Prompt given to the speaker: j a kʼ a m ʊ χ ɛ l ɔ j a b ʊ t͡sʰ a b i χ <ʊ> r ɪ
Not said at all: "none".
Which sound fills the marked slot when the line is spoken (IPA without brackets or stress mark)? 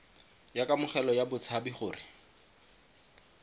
ʊː